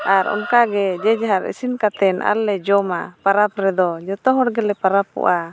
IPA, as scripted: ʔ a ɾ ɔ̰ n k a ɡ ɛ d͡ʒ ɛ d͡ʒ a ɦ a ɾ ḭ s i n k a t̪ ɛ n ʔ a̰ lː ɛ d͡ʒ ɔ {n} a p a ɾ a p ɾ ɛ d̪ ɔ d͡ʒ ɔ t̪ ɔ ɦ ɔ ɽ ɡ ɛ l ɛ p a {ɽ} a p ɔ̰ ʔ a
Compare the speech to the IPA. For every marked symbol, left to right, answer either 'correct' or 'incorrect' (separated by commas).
incorrect, incorrect